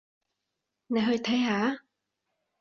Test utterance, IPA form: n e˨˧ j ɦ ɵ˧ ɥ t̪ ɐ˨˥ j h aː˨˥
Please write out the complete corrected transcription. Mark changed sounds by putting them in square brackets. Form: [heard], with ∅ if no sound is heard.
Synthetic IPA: n e˨˧ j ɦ ɵ˧ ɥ [t̪ʰ] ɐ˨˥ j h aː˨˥